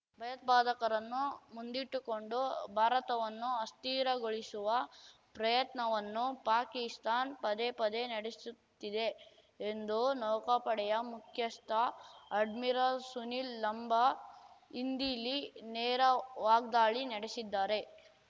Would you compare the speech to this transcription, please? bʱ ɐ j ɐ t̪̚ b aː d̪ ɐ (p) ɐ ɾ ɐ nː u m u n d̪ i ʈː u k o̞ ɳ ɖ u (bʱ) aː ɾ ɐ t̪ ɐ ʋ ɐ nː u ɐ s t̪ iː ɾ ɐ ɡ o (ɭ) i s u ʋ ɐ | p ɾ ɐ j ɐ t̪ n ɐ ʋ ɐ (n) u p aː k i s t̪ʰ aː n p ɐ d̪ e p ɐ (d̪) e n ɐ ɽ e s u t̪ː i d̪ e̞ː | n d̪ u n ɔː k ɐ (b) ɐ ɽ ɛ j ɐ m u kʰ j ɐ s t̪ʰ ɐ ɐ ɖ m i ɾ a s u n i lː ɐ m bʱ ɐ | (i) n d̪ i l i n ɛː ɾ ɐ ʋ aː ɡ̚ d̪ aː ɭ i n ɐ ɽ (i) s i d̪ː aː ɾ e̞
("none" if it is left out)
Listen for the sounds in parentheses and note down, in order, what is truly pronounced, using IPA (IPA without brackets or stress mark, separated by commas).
k, bʱ, ɭ, nː, d̪, p, i, e